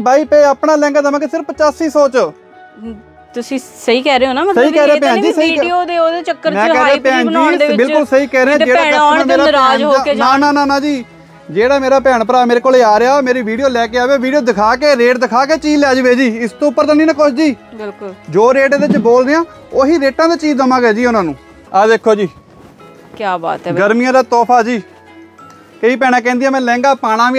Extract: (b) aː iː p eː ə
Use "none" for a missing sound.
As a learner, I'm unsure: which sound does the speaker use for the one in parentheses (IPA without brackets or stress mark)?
b